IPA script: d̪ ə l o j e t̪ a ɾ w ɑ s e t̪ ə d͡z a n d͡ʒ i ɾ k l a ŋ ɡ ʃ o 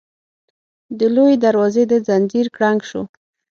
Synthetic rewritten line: d̪ ə l o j e d̪ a ɾ w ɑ z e d̪ ə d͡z a n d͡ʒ i ɾ k ɽ a ŋ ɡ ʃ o